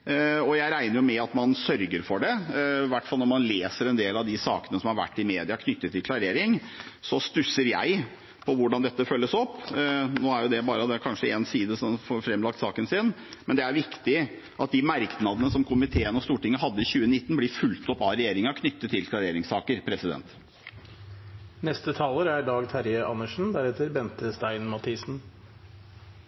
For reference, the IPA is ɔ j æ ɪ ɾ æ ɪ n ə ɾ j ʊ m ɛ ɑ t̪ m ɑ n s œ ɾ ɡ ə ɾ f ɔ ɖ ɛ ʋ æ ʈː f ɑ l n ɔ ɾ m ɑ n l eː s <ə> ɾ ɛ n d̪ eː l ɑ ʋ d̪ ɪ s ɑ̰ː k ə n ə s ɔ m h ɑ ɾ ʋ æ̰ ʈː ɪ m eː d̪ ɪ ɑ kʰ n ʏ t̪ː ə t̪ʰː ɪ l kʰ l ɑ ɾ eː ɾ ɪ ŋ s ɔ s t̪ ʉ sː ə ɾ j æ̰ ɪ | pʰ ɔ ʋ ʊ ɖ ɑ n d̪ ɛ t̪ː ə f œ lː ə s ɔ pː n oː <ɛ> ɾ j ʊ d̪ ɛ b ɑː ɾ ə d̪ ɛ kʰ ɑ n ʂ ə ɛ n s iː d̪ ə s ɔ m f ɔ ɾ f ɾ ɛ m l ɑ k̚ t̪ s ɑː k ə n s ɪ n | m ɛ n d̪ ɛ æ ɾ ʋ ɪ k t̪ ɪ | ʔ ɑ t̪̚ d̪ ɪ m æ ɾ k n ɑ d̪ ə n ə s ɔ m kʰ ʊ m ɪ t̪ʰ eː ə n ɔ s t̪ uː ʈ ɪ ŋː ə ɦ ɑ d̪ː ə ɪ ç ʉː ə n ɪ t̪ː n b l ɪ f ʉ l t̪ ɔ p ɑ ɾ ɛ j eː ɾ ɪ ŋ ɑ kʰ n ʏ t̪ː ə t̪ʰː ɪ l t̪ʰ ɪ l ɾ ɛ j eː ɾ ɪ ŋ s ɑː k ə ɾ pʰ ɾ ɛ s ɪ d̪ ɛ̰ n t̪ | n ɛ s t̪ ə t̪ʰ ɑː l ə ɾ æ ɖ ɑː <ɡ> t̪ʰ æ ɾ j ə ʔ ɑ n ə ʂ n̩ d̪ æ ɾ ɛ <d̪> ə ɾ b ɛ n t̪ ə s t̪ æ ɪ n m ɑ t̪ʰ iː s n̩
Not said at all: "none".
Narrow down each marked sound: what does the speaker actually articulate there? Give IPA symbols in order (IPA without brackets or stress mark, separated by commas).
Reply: ə, æ, ɡ, t̪